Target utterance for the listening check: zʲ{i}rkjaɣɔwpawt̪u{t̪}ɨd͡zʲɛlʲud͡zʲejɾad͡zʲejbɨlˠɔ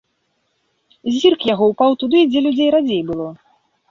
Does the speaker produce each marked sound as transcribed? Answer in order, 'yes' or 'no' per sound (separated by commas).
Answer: yes, no